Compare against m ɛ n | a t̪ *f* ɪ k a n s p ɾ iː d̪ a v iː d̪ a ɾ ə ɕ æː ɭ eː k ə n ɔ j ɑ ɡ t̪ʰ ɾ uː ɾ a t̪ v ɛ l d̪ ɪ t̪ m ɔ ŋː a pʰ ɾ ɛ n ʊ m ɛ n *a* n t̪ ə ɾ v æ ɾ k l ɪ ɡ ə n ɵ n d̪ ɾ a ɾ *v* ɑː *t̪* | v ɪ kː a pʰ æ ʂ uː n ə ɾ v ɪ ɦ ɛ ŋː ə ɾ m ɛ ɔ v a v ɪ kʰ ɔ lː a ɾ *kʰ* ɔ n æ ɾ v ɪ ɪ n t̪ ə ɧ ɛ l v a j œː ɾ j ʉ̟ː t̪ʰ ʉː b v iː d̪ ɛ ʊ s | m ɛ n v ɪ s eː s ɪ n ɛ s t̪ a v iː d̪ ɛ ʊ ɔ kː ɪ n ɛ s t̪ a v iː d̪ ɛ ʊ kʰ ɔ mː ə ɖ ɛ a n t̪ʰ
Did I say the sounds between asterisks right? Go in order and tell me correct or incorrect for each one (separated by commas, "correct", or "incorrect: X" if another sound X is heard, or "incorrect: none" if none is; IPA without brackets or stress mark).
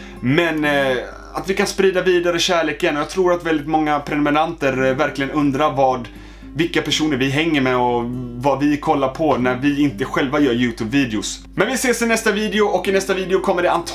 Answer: incorrect: v, correct, correct, incorrect: d̪, incorrect: pʰ